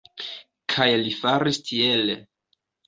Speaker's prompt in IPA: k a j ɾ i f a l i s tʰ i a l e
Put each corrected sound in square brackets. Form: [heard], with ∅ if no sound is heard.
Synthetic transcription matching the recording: [kʰ] a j [l] i f a [ɾ] i s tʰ i [e] l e